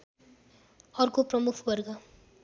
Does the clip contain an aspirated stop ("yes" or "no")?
yes